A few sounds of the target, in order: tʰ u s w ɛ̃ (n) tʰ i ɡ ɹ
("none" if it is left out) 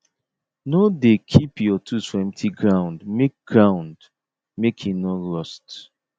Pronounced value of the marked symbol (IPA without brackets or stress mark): m